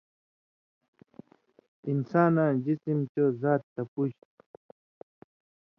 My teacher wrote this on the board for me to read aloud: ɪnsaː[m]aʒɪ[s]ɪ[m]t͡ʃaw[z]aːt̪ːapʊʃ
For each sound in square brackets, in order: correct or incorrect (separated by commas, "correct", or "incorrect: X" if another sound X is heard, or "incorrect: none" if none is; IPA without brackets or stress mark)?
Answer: incorrect: n, correct, correct, correct